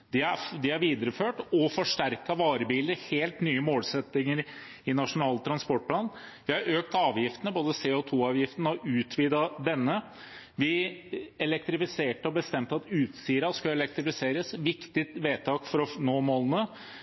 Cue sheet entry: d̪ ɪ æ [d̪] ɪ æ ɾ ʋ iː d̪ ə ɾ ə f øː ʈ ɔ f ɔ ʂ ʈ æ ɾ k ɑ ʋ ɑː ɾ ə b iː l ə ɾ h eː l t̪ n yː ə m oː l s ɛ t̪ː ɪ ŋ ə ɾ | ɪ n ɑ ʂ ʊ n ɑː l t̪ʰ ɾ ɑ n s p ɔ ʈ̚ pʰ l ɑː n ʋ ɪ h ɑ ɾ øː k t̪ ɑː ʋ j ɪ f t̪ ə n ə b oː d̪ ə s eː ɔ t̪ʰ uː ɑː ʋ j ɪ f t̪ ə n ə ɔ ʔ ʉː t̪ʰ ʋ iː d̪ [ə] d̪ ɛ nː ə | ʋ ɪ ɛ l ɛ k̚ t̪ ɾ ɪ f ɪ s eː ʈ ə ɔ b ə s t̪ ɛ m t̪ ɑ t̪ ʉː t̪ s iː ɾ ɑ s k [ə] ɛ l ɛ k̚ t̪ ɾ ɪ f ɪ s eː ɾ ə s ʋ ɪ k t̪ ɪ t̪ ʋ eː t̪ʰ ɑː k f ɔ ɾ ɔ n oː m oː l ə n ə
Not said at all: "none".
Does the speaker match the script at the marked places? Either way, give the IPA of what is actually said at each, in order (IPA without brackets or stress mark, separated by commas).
d̪, ɑ, ɑ